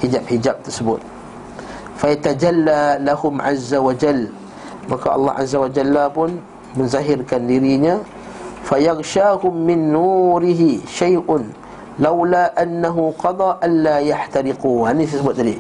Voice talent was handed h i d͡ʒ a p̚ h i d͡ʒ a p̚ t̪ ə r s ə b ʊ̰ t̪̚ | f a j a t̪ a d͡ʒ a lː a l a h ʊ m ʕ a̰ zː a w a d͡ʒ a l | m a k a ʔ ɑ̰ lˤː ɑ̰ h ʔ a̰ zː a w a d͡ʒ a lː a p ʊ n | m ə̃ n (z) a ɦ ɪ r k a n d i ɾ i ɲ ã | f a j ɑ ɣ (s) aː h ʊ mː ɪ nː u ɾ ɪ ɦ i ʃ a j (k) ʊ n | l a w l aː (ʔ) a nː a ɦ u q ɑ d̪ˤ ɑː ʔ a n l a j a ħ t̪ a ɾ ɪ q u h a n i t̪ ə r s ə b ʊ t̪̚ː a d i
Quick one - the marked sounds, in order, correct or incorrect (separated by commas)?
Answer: correct, incorrect, incorrect, correct